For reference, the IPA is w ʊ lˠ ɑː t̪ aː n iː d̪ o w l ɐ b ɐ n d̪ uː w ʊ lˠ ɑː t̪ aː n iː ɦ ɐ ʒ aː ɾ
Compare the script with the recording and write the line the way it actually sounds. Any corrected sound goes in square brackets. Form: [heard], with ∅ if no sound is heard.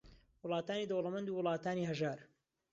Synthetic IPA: w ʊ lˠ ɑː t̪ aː n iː d̪ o w l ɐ [m] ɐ n d̪ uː w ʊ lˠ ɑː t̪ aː n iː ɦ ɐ ʒ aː ɾ